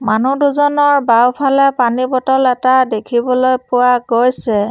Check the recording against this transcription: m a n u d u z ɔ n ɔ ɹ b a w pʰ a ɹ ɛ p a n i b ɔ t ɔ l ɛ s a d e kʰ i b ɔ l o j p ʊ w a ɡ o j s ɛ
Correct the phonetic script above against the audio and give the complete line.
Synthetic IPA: m a n u d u z ɔ n ɔ ɹ b a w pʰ a l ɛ p a n i b ɔ t ɔ l ɛ t a d e kʰ i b ɔ l o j p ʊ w a ɡ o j s ɛ